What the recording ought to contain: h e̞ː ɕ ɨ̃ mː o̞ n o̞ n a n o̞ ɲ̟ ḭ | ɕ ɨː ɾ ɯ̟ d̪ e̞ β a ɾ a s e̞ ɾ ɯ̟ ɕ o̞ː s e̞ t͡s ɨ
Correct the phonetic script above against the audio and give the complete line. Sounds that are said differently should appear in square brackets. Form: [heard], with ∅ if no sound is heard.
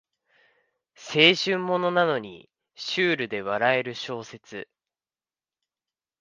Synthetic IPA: [s] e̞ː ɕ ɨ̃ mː o̞ n o̞ n a n o̞ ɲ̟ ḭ | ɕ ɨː ɾ ɯ̟ d̪ e̞ β a ɾ a [∅] e̞ ɾ ɯ̟ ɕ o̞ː s e̞ t͡s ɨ